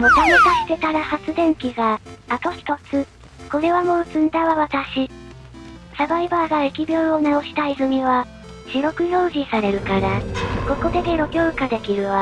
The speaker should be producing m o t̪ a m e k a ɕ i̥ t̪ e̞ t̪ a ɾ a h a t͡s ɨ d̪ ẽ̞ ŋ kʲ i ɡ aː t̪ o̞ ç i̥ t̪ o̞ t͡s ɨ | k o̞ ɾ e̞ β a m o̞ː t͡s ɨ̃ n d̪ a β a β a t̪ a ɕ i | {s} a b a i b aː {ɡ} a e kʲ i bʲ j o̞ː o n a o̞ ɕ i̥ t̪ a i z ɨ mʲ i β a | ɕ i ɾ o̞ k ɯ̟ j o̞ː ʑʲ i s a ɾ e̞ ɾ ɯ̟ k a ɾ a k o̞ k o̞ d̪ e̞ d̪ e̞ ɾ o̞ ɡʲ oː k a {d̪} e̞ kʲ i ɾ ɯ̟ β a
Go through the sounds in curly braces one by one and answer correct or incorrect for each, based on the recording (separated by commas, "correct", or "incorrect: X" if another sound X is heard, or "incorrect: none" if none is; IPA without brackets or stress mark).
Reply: correct, correct, correct